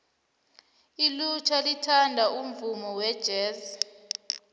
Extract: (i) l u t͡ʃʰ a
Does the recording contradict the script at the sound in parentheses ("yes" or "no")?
no